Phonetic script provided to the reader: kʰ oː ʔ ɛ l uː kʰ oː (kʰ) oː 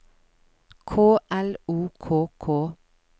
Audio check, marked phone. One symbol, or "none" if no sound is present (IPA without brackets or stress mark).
kʰ